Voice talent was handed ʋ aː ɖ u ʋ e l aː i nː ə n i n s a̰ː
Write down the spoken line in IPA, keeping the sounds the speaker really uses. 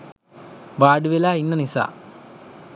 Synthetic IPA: ʋ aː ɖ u ʋ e l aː i nː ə n i s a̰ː